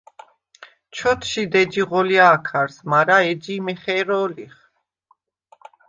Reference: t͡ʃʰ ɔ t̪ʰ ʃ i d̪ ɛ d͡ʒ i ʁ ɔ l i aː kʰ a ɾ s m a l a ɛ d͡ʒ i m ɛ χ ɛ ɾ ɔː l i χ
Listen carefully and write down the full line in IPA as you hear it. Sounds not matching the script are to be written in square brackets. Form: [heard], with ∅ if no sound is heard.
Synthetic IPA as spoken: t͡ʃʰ ɔ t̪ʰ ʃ i d̪ ɛ d͡ʒ i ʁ ɔ l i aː kʰ a ɾ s m a [ɾ] a ɛ d͡ʒ i m ɛ χ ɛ ɾ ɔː l i χ